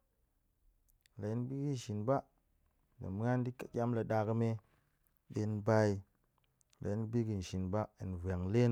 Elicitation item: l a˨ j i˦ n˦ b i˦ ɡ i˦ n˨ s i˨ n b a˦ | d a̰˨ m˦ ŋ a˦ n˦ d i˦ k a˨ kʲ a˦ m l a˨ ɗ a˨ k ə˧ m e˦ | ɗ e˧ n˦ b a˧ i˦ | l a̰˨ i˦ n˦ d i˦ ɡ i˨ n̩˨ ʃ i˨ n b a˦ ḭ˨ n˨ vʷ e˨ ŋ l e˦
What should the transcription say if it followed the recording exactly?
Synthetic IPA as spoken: l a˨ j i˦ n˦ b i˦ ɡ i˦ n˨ ʃ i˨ n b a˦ | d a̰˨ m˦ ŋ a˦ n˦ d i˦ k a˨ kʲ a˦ m l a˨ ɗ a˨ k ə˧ m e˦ | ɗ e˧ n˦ b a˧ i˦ | l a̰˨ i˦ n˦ b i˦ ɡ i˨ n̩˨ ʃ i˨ n b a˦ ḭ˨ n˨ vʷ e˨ ŋ l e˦